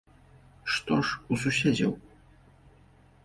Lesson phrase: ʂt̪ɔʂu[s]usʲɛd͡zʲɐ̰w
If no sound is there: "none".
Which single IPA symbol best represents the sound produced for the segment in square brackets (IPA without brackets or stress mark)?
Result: s